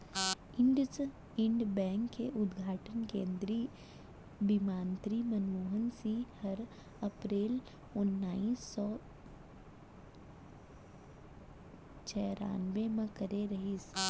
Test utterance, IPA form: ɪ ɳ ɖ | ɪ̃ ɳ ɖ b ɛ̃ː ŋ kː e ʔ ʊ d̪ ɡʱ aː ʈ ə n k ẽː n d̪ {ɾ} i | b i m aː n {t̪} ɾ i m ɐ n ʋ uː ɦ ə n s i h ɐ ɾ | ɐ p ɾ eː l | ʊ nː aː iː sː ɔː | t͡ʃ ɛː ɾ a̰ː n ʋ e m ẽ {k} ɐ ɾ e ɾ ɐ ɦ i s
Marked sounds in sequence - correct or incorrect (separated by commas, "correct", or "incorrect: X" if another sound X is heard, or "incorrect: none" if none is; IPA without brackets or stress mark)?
correct, correct, correct